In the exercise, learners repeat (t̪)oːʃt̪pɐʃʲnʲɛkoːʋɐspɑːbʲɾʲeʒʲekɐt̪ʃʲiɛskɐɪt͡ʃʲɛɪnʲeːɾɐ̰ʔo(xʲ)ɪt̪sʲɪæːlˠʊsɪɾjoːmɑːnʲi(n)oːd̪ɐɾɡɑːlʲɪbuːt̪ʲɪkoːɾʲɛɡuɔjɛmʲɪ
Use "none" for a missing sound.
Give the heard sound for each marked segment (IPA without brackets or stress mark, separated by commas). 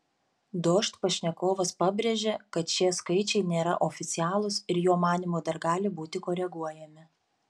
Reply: d̪, fʲ, m